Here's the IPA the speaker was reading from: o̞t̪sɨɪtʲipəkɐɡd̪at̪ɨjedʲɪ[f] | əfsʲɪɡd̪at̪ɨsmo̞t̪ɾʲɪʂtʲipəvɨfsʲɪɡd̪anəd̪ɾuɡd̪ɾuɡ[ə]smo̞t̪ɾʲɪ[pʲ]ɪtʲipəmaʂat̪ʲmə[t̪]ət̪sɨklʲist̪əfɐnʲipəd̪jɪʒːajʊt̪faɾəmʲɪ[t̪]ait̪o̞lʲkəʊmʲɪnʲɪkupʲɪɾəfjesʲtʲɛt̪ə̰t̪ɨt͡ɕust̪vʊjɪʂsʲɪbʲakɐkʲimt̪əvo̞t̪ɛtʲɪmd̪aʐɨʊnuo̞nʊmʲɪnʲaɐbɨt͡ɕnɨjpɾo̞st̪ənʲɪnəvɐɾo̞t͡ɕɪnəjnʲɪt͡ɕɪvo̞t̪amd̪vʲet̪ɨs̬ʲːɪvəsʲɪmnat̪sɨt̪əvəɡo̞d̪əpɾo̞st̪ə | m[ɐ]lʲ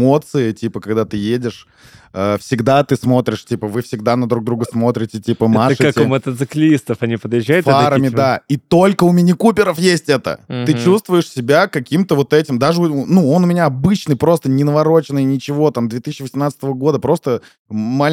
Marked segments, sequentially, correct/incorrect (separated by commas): incorrect, correct, incorrect, correct, incorrect, incorrect